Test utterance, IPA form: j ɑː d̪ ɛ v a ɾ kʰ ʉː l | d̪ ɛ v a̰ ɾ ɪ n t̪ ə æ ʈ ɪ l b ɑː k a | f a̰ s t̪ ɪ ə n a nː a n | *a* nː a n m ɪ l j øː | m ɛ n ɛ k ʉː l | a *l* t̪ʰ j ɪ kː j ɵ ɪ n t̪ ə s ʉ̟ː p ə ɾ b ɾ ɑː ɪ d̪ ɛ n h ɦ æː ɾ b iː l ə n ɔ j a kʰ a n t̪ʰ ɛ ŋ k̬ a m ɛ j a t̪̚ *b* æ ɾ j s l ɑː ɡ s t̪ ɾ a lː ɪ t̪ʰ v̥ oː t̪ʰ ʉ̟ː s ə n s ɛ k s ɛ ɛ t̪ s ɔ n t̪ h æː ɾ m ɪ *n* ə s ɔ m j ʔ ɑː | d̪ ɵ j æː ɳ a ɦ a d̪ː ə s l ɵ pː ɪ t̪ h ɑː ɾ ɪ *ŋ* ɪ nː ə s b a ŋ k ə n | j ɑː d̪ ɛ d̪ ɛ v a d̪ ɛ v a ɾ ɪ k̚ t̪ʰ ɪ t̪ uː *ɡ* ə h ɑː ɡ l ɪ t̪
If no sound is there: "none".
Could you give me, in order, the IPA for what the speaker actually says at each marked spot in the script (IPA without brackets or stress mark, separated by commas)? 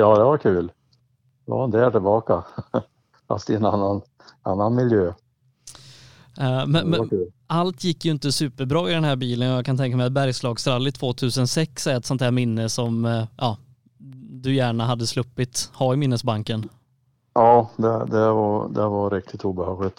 a, l, b, nː, m, b